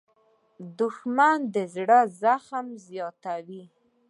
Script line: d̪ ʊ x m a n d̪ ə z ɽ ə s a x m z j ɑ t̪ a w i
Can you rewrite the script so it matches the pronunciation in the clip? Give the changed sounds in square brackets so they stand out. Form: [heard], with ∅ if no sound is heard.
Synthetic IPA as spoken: d̪ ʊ x m a n d̪ ə z ɽ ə [z] a x m z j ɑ t̪ a w i